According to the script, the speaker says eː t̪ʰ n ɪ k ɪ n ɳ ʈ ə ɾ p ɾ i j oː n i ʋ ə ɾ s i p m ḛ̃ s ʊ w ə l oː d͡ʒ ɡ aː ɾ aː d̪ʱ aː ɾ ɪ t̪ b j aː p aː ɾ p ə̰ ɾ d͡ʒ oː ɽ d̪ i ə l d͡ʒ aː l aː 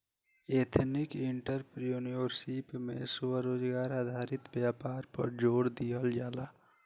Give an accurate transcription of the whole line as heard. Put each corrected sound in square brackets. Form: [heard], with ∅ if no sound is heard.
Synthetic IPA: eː t̪ʰ n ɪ k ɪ [∅] ɳ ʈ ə ɾ p ɾ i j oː n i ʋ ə ɾ s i p m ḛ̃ s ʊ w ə [ɾ] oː d͡ʒ ɡ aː ɾ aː d̪ʱ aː ɾ ɪ t̪ b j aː p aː ɾ p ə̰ ɾ d͡ʒ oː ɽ d̪ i ə l d͡ʒ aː l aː